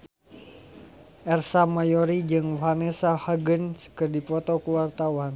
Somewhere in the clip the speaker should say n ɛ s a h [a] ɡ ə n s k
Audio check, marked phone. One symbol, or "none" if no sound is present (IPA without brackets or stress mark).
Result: a